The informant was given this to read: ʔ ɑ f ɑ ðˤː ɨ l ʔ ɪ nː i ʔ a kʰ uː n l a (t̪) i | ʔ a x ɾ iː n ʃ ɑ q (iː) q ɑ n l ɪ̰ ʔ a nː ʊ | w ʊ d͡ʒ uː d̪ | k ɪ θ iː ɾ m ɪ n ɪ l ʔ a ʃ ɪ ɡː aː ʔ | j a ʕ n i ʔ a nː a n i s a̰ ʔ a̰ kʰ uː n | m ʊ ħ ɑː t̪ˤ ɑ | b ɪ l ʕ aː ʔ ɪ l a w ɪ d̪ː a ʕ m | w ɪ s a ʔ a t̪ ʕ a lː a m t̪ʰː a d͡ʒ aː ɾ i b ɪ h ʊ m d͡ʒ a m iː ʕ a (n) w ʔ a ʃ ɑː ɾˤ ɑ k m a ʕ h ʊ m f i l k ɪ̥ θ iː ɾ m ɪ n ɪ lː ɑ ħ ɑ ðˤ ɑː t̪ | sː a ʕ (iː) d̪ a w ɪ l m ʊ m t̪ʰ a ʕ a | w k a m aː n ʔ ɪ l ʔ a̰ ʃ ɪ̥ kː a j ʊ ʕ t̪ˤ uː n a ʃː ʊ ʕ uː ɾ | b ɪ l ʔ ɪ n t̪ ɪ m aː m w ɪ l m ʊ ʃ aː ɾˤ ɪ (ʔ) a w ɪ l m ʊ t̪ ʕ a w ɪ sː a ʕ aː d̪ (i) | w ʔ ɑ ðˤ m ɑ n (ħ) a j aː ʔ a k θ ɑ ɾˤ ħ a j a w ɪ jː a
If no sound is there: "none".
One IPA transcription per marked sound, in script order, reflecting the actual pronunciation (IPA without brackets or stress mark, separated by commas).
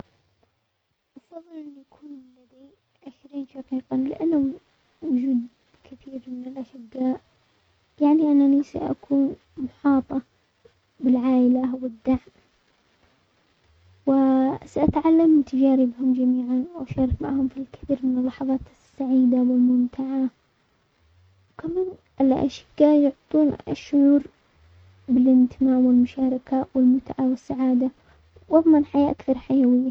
d̪, iː, n, iː, k, a, ħ